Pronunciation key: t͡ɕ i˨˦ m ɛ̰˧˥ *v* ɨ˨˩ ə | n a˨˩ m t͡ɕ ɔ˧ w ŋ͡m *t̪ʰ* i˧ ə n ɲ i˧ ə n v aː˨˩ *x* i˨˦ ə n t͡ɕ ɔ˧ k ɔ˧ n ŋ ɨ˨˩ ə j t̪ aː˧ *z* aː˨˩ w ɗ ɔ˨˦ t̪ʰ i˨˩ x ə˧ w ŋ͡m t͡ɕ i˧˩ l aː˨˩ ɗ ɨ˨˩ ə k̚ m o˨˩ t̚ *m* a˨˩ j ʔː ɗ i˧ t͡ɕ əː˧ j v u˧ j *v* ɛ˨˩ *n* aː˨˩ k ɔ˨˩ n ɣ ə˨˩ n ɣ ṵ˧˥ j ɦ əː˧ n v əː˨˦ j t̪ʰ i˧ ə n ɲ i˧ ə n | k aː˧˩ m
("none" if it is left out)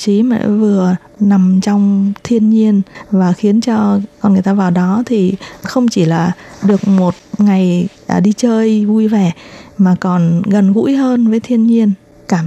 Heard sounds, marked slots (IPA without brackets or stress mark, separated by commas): v, t̪ʰ, x, v, ŋ, v, m